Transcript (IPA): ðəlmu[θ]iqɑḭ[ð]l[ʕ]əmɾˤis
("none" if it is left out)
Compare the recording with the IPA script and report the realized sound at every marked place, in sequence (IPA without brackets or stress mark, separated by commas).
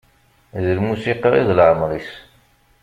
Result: s, ð, ʕ